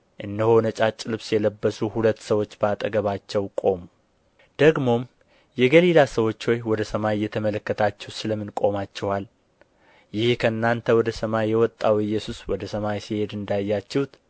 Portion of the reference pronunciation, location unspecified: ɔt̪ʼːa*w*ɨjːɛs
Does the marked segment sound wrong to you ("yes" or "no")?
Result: no